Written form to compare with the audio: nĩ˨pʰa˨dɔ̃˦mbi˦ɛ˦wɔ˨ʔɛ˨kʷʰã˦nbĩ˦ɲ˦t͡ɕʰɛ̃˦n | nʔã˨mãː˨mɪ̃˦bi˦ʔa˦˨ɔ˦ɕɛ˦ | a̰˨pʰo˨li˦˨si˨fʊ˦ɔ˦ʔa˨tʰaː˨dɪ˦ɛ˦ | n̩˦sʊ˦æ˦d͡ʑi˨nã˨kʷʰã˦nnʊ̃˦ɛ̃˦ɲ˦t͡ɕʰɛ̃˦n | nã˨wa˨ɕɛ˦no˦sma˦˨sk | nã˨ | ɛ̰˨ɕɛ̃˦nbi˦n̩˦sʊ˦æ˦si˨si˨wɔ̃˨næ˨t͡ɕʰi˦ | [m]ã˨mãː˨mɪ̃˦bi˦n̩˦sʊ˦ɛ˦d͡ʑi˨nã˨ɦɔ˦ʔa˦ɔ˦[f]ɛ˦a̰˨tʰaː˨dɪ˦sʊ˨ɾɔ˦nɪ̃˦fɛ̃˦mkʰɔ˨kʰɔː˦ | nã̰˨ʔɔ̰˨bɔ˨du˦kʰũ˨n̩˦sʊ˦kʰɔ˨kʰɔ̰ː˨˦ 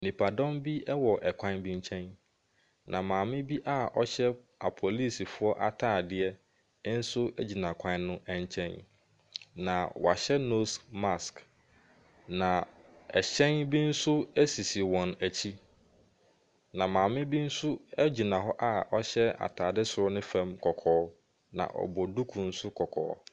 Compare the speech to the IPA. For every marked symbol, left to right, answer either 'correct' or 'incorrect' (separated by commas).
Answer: incorrect, incorrect